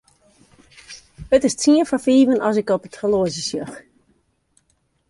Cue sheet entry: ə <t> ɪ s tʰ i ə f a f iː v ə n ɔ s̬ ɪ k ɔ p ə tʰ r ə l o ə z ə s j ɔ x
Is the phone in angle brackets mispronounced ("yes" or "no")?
no